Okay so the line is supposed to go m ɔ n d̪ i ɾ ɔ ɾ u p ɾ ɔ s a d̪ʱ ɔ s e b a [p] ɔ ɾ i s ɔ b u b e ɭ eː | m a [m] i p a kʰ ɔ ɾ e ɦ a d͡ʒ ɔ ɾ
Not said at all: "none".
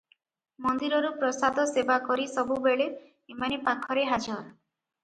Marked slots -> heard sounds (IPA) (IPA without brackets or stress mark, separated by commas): k, n